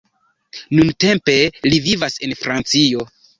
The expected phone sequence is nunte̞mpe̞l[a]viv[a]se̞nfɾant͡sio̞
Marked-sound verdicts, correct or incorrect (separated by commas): incorrect, correct